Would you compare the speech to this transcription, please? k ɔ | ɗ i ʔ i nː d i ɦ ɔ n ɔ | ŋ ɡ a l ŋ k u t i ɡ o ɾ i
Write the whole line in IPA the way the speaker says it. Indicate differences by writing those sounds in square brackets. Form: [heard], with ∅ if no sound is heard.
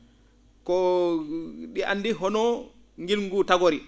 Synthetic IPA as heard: k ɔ | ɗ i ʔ [a] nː d i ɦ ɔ n ɔ | ŋ ɡ [i] l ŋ [ɡ] u t [a] ɡ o ɾ i